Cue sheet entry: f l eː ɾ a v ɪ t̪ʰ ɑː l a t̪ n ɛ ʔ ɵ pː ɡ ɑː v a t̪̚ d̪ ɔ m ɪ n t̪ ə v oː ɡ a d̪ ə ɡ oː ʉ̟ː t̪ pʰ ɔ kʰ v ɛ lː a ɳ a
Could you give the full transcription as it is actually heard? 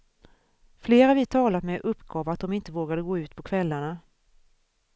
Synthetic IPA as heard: f l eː ɾ a v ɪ t̪ʰ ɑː l a t̪ m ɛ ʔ ɵ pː ɡ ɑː v a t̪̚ d̪ ɔ m ɪ n t̪ ə v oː ɡ a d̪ ə ɡ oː ʉ̟ː t̪ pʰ ɔ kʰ v ɛ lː a ɳ a